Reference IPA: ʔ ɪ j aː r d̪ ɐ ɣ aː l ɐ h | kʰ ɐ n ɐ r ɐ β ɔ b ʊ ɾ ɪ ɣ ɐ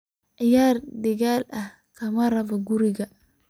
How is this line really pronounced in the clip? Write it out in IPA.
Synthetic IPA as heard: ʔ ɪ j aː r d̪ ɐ ɣ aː l ɐ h | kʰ ɐ m ɐ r ɐ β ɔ ɡ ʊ ɾ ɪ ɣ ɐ